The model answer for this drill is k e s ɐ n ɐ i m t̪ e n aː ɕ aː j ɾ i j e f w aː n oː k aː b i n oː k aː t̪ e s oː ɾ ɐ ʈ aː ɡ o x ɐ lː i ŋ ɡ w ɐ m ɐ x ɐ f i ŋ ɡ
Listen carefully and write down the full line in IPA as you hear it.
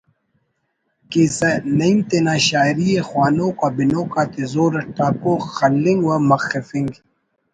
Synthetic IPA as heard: k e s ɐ n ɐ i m t̪ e n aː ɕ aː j ɾ i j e x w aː n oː k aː b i n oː k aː t̪ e z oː ɾ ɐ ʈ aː k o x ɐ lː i ŋ ɡ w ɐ m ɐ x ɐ f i ŋ ɡ